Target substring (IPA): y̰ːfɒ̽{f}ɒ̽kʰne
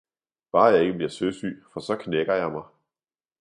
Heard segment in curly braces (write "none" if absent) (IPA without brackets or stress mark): s